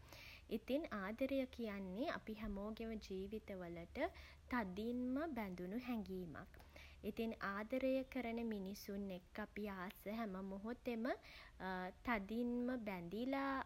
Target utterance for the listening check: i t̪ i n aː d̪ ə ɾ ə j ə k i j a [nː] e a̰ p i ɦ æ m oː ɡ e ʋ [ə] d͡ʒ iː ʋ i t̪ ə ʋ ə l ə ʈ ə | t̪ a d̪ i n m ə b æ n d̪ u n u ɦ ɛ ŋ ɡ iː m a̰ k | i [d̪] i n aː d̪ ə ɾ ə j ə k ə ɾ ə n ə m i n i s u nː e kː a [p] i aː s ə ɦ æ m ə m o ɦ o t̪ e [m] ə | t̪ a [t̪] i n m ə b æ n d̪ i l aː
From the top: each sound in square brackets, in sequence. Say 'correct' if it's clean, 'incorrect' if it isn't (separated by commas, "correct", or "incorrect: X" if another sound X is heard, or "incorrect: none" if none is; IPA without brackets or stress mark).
correct, correct, incorrect: t̪, correct, correct, incorrect: d̪